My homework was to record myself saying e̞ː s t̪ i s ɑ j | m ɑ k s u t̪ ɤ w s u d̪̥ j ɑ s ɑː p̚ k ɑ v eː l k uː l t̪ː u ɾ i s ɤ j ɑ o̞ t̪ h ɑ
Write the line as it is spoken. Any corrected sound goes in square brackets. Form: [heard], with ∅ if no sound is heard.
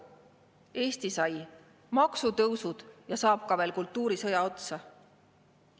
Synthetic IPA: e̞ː s t̪ i s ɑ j | m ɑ k s u t̪ ɤ w s u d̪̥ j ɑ s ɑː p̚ k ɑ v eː l k [u] l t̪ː [uː] ɾ i s ɤ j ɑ o̞ t̪ [s] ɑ